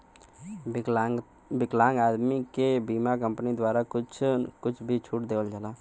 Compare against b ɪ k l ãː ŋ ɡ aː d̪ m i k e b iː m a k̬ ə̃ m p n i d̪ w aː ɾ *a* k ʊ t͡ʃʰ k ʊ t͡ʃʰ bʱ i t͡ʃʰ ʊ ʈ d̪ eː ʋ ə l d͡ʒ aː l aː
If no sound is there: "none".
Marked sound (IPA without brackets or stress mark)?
a